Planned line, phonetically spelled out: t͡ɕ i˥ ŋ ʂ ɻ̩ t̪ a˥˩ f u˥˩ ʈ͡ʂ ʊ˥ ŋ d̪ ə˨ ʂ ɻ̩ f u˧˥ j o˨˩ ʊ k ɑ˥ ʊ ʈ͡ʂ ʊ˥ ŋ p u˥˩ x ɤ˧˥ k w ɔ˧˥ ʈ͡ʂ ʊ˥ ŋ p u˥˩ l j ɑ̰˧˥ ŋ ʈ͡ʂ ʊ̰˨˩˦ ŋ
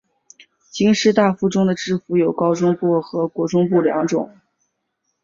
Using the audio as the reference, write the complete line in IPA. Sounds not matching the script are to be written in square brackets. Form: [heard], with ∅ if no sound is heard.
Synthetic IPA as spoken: t͡ɕ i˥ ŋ ʂ ɻ̩ t̪ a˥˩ f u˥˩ ʈ͡ʂ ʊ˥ ŋ d̪ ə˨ [ʈ͡ʂ] ɻ̩ f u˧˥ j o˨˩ ʊ k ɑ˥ ʊ ʈ͡ʂ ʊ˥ ŋ p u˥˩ x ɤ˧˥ k w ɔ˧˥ ʈ͡ʂ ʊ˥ ŋ p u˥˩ l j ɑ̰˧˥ ŋ ʈ͡ʂ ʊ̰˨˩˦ ŋ